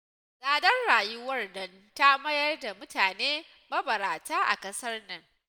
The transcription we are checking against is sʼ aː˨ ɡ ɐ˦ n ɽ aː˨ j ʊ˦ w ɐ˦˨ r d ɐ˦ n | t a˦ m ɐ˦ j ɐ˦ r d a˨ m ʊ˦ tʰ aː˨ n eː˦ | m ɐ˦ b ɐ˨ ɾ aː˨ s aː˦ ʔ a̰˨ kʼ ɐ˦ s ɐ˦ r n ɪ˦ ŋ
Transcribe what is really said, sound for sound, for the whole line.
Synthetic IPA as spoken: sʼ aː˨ d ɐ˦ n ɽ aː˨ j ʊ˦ w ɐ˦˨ r d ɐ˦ n | t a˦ m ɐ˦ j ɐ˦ r d a˨ m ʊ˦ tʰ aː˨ n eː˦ | m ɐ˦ b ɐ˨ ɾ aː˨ t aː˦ ʔ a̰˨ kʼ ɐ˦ s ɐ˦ r n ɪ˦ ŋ